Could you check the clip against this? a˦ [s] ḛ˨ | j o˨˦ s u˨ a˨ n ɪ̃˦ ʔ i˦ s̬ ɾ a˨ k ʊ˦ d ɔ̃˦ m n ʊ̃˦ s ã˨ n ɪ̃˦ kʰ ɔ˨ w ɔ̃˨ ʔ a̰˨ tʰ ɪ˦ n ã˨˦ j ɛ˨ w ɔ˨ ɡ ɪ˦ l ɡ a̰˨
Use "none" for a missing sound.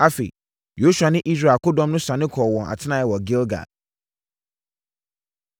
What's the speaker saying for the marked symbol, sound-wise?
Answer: f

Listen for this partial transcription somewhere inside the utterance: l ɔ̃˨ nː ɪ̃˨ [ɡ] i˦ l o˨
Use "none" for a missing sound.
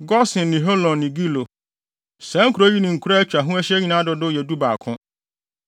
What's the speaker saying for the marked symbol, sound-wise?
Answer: ɡ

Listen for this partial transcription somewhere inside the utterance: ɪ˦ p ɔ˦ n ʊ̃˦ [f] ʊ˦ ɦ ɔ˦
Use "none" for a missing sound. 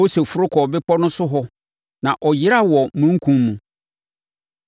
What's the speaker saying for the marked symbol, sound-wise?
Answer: s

